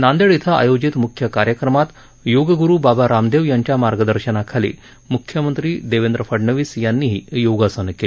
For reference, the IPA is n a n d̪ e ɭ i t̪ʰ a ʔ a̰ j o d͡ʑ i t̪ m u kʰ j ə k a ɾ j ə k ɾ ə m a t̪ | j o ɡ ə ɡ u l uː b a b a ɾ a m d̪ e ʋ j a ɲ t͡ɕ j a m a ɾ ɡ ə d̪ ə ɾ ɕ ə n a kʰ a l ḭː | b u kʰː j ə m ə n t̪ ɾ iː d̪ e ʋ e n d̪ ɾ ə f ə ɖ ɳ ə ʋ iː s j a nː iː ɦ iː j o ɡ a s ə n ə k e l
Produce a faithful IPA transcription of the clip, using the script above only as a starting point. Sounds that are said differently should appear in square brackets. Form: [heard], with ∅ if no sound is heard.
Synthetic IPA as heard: n a n d̪ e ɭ i t̪ʰ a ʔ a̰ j o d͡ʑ i t̪ m u kʰ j ə k a ɾ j ə k ɾ ə m a t̪ | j o ɡ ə ɡ u [ɾ] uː b a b a ɾ a m d̪ e ʋ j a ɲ t͡ɕ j a m a ɾ ɡ ə d̪ ə ɾ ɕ ə n a kʰ a l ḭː | [m] u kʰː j ə m ə n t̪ ɾ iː d̪ e ʋ e n d̪ ɾ ə f ə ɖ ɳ ə ʋ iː s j a nː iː ɦ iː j o ɡ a s ə n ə k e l